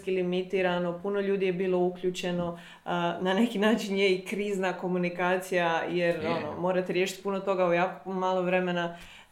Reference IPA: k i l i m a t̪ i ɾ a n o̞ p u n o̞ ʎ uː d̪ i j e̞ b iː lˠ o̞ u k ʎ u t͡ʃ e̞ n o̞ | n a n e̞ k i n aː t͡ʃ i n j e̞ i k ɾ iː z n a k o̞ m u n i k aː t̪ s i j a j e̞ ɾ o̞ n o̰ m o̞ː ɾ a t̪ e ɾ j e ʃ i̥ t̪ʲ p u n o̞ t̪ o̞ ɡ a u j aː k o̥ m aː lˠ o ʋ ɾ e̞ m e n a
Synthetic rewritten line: k i l i m i t̪ i ɾ a n o̞ p u n o̞ ʎ uː d̪ i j e̞ b iː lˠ o̞ u k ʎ u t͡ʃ e̞ n o̞ | n a n e̞ k i n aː t͡ʃ i n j e̞ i k ɾ iː z n a k o̞ m u n i k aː t̪ s i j a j e̞ ɾ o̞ n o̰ m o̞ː ɾ a t̪ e ɾ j e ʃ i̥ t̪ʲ p u n o̞ t̪ o̞ ɡ a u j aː k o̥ m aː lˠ o ʋ ɾ e̞ m e n a